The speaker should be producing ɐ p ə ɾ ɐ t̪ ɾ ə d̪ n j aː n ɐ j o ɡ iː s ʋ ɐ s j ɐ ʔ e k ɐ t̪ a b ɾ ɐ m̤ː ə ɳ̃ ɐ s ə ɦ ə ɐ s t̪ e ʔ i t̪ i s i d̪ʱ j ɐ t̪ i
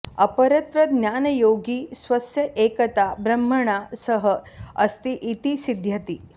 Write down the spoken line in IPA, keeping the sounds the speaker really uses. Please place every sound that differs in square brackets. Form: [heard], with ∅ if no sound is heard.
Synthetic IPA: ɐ p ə ɾ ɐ t̪ ɾ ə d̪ n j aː n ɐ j o ɡ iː s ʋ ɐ s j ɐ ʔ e k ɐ t̪ a b ɾ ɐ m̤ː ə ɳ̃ [a] s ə ɦ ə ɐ s t̪ [i] ʔ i t̪ i s i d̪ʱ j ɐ t̪ i

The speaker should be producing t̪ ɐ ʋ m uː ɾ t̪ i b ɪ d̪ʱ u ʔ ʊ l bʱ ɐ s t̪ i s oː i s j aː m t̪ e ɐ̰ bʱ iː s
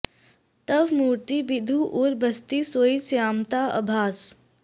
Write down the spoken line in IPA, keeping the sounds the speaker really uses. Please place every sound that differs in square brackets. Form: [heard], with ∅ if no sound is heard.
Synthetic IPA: t̪ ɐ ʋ m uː ɾ t̪ i b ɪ d̪ʱ u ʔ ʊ [ɾ] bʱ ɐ s t̪ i s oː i s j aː m t̪ [a] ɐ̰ bʱ [aː] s

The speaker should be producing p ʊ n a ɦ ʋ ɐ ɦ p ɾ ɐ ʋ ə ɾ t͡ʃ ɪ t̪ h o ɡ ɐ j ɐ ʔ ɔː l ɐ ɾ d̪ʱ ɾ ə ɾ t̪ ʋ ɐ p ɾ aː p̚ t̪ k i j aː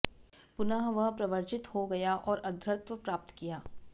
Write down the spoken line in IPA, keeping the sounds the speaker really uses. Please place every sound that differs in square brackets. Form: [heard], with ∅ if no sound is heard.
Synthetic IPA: p ʊ n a ɦ ʋ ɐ ɦ p ɾ ɐ ʋ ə ɾ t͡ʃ ɪ t̪ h o ɡ ɐ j [a] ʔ ɔː [ɾ] ɐ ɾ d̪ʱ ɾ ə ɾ t̪ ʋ [ə] p ɾ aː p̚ t̪ k i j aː

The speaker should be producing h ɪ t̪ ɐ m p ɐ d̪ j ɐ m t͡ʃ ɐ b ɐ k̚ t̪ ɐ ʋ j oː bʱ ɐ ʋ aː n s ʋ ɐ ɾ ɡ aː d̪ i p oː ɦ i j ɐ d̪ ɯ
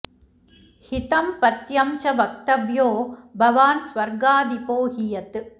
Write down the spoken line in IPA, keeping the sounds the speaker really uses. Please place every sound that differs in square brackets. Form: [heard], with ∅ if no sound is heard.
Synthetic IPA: h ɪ t̪ ɐ m p ɐ [t̪] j ɐ m t͡ʃ ɐ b ɐ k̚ t̪ ɐ ʋ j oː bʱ ɐ ʋ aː n s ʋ ɐ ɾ ɡ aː d̪ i p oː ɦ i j ɐ [t̪] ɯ

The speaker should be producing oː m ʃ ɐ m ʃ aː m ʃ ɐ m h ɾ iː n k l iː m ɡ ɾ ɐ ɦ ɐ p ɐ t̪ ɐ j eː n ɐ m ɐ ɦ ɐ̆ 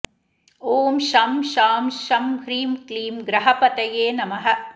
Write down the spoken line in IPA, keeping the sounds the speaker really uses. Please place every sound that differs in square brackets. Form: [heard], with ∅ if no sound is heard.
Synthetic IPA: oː m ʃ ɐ m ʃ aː m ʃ ɐ m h ɾ iː [m] k l iː m ɡ ɾ ɐ ɦ ɐ p ɐ t̪ ɐ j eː n ɐ m ɐ ɦ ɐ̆

